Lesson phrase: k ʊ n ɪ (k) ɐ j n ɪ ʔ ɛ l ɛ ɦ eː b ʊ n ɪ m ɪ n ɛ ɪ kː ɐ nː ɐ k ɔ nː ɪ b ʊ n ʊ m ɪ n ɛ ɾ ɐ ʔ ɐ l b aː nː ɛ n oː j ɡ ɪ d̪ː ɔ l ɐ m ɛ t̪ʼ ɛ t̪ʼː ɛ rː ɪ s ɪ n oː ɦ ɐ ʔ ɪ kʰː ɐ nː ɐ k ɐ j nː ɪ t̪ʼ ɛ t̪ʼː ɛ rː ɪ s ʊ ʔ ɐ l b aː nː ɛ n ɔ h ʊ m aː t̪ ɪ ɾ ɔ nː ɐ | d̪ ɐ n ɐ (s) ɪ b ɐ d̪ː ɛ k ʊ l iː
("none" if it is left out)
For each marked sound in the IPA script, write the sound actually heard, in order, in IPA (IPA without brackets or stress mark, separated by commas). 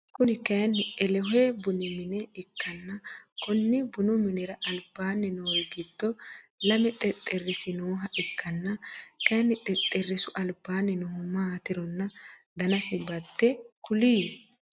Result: k, s